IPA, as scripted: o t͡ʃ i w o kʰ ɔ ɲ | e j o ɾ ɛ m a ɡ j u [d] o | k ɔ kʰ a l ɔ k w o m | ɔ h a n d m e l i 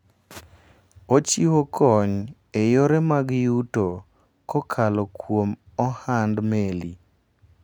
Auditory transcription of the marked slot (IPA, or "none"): t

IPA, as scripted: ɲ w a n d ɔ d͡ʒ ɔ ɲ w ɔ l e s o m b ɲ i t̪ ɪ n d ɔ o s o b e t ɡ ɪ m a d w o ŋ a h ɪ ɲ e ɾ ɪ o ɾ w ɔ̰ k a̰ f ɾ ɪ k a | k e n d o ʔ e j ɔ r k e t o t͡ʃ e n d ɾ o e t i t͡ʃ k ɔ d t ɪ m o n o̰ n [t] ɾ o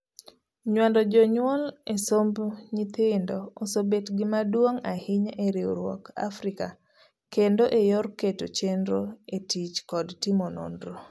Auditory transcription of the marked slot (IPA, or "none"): d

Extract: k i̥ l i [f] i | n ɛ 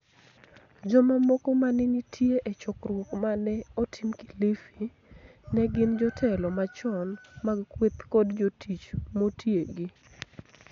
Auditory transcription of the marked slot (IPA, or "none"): f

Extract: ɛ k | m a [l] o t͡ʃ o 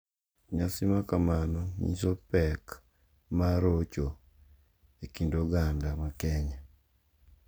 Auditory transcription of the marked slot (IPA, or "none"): ɾ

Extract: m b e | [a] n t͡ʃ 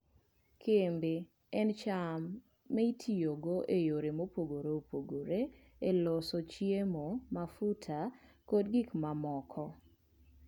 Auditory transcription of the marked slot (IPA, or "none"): ɛ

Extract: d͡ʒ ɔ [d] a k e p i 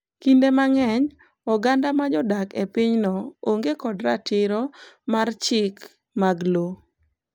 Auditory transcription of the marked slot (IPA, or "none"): d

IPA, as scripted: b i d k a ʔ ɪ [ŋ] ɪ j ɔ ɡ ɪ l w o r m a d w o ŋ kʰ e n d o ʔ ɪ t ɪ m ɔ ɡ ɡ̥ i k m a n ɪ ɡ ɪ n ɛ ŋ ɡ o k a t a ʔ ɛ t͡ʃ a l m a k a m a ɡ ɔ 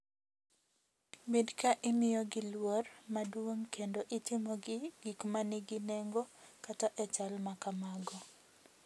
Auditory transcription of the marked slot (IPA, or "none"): m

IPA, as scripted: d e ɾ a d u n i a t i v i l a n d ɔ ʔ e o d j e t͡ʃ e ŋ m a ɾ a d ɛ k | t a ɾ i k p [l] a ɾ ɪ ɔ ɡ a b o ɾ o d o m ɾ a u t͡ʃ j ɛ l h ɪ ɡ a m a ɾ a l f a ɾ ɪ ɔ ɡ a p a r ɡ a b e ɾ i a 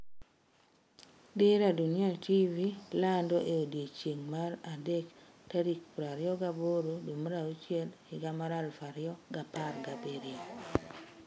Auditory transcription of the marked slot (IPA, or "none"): ɾ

